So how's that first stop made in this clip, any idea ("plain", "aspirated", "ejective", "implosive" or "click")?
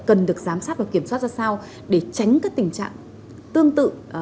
plain